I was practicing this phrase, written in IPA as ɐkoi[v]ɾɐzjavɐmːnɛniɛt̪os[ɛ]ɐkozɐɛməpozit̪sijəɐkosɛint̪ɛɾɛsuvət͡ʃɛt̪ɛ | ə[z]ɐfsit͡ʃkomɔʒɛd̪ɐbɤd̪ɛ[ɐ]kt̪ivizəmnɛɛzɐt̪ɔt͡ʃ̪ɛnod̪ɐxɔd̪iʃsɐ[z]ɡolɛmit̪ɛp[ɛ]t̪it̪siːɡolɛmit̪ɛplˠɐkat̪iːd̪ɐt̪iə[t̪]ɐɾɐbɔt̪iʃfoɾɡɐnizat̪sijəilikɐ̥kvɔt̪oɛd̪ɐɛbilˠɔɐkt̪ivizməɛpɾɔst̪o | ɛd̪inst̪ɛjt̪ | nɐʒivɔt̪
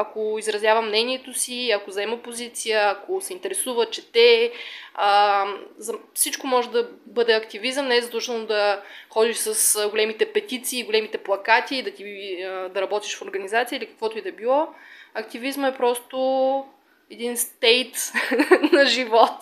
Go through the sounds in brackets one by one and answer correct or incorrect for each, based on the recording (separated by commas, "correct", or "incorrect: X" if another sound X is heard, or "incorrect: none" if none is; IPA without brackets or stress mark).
incorrect: z, incorrect: i, correct, correct, incorrect: s, correct, incorrect: d̪